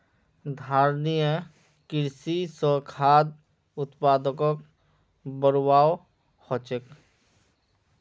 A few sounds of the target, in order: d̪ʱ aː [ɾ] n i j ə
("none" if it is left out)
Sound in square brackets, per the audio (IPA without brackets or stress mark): ɾ